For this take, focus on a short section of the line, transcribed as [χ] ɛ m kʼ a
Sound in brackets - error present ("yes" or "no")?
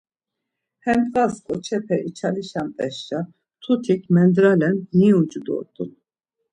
yes